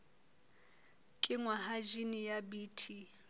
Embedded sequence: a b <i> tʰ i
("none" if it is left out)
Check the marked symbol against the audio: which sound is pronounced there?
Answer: iː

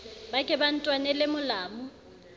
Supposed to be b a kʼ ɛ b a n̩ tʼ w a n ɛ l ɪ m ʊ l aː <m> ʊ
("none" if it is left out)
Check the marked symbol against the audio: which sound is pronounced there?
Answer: m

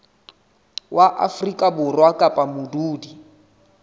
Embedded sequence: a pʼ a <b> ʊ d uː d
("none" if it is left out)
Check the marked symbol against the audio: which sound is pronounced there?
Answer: m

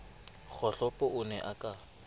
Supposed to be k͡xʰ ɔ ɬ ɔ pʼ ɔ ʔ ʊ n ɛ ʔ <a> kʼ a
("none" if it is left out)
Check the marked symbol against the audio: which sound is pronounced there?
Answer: a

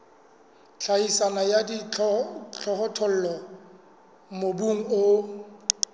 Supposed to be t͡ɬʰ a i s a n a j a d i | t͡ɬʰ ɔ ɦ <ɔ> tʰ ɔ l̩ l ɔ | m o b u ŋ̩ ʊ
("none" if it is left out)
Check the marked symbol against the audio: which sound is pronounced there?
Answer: ɔ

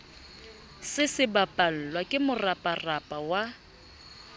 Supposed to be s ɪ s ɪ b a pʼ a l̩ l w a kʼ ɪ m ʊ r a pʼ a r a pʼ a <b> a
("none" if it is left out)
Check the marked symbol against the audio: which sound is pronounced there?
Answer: w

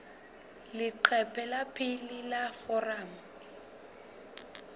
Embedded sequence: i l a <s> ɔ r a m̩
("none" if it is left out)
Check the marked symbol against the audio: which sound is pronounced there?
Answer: f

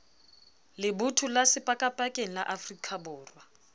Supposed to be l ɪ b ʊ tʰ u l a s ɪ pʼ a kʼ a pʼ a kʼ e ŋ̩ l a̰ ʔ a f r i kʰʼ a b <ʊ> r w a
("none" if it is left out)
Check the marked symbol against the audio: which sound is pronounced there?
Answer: ʊː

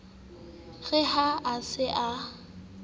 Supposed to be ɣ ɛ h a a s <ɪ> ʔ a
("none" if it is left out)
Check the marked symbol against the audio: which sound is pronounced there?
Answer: ɪ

